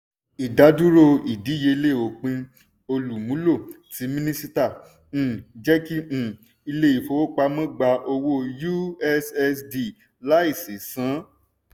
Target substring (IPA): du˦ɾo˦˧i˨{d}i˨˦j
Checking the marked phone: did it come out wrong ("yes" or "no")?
no